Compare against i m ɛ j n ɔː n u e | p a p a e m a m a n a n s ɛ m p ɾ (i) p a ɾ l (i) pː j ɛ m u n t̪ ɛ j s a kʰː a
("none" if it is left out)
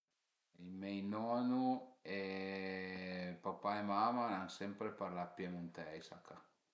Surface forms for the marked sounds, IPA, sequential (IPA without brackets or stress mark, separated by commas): e, a